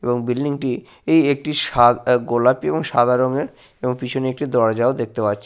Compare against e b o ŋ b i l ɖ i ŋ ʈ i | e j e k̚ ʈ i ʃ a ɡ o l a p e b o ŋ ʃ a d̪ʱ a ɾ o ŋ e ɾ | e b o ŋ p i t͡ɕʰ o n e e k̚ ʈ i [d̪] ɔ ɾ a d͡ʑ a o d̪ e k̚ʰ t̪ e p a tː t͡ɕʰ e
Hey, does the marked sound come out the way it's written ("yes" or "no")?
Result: yes